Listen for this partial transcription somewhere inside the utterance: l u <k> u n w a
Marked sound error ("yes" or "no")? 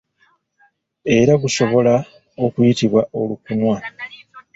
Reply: no